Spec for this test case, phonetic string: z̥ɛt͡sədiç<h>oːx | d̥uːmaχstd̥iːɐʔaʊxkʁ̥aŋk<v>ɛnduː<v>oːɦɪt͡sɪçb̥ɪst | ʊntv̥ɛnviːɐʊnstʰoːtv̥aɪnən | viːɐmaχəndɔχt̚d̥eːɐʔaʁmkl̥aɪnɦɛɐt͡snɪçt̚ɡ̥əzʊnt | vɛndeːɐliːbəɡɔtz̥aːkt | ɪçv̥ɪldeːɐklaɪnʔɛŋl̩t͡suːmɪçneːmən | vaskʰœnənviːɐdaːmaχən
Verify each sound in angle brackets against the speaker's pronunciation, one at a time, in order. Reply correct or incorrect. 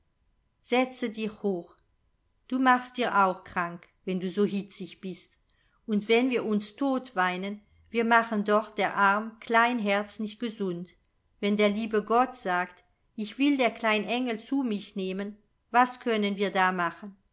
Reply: correct, correct, incorrect

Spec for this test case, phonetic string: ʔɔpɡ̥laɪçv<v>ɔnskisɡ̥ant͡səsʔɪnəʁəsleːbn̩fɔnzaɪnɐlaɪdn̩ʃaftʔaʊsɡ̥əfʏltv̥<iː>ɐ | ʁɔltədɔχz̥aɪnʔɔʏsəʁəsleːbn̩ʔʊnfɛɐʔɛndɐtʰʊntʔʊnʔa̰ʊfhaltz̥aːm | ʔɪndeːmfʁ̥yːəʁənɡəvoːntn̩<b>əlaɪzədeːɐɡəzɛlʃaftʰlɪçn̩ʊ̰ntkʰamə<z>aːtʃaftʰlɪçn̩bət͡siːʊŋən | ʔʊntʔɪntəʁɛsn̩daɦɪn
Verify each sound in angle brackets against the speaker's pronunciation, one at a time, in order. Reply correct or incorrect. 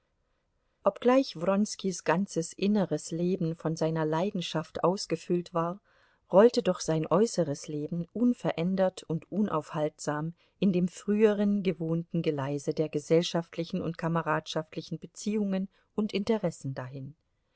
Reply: incorrect, incorrect, incorrect, incorrect

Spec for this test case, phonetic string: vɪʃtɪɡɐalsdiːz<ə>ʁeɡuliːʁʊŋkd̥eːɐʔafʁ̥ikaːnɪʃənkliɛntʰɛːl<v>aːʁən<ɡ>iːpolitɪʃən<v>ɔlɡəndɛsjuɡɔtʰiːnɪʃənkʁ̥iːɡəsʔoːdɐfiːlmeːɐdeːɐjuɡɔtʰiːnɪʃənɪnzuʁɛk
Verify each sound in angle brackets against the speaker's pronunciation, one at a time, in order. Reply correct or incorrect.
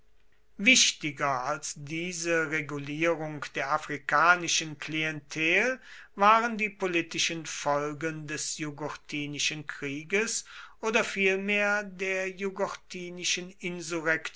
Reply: correct, correct, incorrect, incorrect

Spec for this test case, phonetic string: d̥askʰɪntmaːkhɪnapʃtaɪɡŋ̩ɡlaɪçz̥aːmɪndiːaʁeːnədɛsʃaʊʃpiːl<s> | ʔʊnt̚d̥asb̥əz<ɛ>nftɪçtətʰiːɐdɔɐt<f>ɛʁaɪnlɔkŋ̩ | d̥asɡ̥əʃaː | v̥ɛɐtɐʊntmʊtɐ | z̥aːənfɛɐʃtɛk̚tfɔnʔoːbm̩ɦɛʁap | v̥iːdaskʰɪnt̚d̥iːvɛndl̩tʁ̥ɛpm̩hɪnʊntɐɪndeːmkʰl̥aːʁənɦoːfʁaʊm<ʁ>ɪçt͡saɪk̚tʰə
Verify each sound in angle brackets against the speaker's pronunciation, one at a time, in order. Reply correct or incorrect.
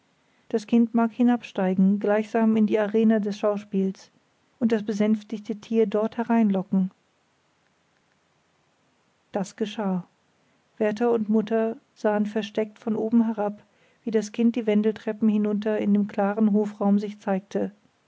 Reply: correct, correct, incorrect, incorrect

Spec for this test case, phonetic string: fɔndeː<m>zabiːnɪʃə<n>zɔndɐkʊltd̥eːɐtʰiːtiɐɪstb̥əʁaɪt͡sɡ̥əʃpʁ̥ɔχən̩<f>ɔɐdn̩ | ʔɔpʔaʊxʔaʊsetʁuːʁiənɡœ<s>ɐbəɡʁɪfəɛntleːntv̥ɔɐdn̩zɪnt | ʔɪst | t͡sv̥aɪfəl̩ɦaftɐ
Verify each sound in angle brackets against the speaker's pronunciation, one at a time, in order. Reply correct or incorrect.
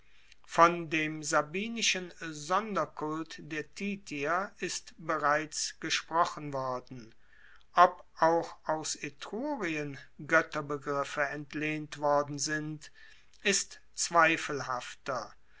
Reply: correct, correct, incorrect, incorrect

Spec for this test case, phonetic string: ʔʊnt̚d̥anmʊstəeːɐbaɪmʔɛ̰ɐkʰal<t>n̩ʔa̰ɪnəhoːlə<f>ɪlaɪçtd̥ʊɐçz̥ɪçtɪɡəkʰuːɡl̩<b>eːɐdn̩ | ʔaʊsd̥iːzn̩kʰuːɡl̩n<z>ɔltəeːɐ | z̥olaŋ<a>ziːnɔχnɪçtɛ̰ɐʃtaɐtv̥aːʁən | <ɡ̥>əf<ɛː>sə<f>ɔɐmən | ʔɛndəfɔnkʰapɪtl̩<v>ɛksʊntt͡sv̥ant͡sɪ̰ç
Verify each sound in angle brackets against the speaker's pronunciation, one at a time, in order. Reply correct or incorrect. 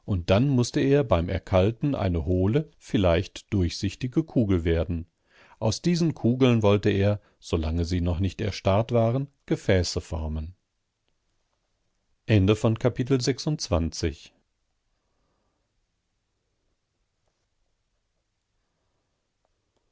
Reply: correct, correct, incorrect, incorrect, incorrect, correct, correct, correct, incorrect

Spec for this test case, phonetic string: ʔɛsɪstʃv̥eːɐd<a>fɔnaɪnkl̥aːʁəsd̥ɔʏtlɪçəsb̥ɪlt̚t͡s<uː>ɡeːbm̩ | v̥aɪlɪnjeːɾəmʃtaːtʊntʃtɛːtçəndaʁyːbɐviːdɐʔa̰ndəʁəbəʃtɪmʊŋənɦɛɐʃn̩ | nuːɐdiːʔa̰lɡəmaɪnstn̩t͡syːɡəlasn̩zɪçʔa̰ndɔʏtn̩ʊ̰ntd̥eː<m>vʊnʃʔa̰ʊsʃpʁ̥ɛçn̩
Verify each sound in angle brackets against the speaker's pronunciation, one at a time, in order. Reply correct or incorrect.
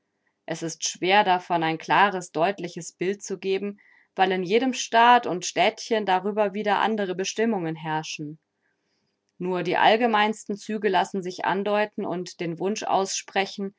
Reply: correct, incorrect, incorrect

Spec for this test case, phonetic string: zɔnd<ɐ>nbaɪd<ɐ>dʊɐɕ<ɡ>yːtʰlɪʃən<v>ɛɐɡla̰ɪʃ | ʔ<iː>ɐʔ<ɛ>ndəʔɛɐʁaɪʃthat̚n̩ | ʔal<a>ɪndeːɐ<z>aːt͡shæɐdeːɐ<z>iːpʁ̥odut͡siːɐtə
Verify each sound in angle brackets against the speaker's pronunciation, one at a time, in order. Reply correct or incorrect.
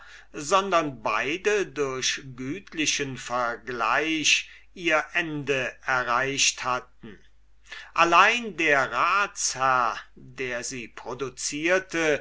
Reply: correct, incorrect, correct, incorrect, correct, correct, correct, incorrect, correct

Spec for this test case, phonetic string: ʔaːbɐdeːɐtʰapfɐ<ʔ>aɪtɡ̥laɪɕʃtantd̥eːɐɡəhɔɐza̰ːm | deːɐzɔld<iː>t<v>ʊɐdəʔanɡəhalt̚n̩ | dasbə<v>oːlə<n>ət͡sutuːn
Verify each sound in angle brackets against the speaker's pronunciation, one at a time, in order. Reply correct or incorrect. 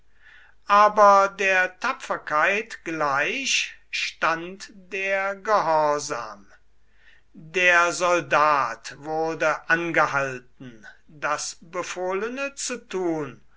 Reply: incorrect, incorrect, correct, incorrect, correct

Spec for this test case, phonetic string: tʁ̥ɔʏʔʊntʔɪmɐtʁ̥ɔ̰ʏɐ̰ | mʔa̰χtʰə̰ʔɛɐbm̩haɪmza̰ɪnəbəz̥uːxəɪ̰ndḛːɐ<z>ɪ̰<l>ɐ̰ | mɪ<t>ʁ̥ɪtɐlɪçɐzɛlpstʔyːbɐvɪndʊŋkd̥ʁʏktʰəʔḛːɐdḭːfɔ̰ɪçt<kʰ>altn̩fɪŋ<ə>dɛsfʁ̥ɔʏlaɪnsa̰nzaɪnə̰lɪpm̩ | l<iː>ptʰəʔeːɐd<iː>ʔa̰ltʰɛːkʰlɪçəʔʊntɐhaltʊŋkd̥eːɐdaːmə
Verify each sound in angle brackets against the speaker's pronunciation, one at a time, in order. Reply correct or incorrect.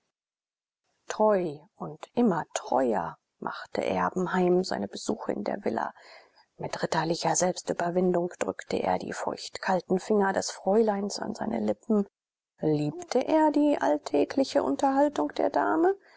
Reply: incorrect, correct, correct, correct, incorrect, correct, correct

